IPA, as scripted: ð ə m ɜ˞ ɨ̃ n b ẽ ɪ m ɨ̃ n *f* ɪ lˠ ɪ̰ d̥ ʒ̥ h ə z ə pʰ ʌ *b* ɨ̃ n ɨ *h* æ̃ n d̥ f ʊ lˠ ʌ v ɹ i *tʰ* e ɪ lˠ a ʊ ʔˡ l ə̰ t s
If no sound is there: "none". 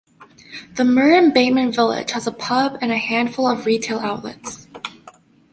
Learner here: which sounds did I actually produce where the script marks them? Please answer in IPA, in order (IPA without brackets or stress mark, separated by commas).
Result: v, b, h, tʰ